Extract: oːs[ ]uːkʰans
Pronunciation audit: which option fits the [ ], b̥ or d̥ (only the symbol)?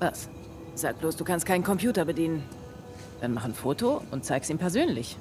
d̥